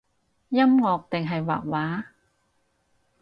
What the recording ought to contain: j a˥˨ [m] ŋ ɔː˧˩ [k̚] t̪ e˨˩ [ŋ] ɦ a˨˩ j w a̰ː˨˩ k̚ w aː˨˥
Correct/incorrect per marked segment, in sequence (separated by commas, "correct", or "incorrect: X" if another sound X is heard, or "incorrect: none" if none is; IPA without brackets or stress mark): correct, correct, correct